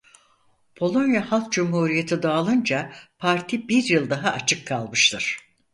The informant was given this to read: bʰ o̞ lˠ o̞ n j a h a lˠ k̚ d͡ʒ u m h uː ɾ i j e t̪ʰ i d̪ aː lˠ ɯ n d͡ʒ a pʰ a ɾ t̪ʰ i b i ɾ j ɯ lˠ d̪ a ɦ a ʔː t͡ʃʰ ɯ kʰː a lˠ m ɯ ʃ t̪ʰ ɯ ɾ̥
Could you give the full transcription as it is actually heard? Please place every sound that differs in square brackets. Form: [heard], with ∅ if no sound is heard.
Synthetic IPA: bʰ o̞ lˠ o̞ n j a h a lˠ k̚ d͡ʒ u m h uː ɾ i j e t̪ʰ i d̪ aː lˠ ɯ n d͡ʒ a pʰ a ɾ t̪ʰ i b i ɾ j ɯ lˠ d̪ a ɦ a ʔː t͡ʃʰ ɯ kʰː a lˠ m ɯ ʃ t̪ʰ ɯ ɾ̥